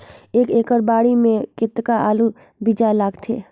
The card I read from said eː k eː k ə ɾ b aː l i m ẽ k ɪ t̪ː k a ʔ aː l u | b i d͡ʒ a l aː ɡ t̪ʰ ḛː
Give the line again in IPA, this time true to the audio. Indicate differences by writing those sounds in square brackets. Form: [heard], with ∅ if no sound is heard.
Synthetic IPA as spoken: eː k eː k ə ɾ b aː [ɽ] i m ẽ k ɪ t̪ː k a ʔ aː l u | b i d͡ʒ a l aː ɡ t̪ʰ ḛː

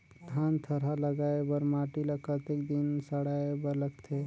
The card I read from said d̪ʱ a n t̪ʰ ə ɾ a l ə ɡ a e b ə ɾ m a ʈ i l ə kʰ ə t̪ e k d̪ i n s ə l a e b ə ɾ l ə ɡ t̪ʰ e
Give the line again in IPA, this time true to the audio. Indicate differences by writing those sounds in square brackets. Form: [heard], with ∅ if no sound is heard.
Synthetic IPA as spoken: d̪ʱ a n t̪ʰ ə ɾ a l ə ɡ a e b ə ɾ m a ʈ i l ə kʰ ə t̪ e k d̪ i n s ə [ɽ] a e b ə ɾ l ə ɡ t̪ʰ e

